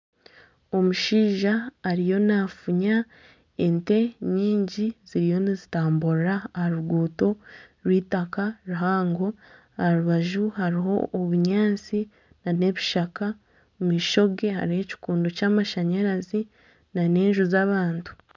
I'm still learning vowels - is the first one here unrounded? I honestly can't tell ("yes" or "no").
no